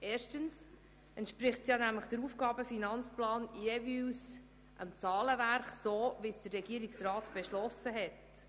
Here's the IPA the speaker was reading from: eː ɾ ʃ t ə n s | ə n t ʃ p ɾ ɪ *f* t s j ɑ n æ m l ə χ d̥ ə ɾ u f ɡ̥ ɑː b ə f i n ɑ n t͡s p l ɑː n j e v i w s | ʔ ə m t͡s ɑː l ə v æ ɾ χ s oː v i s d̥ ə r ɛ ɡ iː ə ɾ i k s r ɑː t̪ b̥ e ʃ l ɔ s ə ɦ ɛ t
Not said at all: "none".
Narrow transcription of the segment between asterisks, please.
χ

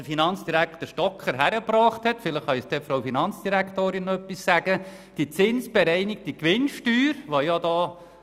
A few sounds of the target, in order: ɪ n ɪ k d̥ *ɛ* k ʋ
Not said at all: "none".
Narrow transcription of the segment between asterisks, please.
i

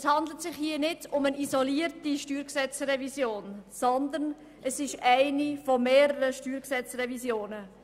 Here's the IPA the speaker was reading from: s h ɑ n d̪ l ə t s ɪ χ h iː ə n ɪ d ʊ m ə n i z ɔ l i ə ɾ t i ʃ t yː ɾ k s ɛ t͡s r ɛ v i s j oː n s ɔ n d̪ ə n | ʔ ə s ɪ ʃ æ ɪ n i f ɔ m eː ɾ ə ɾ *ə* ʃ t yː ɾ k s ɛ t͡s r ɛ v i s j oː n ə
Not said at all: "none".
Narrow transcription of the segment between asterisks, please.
ə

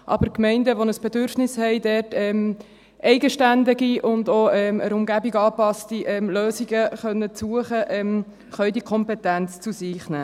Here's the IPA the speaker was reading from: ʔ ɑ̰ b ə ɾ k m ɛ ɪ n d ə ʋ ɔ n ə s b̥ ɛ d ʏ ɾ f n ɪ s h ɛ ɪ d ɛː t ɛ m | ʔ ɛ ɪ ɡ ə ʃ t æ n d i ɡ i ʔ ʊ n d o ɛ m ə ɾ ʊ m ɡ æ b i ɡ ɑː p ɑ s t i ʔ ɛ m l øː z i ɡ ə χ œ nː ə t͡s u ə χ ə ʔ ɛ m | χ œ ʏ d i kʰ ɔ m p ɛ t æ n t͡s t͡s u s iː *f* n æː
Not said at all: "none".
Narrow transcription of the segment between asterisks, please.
χ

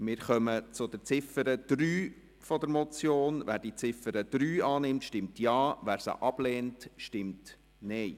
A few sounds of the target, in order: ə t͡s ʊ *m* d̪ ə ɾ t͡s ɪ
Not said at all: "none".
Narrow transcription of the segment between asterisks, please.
none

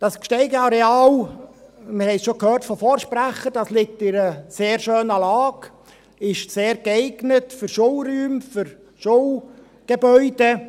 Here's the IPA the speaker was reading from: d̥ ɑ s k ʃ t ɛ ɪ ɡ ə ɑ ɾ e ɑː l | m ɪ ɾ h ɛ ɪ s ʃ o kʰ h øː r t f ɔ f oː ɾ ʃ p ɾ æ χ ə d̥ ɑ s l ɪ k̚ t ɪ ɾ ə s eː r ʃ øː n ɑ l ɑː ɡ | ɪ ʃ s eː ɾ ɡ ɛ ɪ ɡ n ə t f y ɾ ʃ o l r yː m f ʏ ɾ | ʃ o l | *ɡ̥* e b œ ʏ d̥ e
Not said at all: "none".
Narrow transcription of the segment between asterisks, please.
ɡ̥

